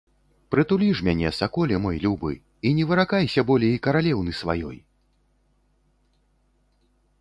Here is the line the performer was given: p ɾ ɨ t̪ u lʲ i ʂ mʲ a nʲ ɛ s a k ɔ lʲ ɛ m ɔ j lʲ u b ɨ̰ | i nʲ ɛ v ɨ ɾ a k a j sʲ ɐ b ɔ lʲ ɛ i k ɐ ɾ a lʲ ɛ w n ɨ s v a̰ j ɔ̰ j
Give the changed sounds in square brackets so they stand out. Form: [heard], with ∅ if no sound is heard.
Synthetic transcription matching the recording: p ɾ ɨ t̪ u lʲ i ʂ mʲ a nʲ ɛ s a k ɔ lʲ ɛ m ɔ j lʲ u b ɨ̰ | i nʲ ɛ v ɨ ɾ a k a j sʲ ɐ b ɔ lʲ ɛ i k ɐ ɾ a lʲ ɛ w n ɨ s v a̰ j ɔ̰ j